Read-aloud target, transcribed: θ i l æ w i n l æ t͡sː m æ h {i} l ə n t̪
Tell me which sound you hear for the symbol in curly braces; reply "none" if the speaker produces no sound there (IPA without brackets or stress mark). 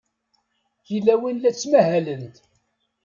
æ